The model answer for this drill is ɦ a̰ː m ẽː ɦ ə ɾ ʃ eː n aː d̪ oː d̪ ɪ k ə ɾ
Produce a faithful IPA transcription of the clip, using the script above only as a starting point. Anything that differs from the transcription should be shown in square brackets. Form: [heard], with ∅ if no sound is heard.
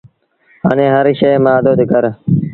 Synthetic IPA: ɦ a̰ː [n] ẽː ɦ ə ɾ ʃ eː [m] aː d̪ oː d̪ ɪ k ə ɾ